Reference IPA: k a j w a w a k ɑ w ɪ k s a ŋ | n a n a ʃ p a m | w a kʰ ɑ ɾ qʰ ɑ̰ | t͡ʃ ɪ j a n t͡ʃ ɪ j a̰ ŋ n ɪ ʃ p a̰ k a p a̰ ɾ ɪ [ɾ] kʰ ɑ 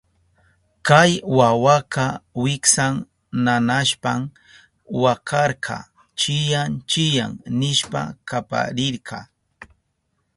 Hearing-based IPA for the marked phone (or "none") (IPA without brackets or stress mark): ɾ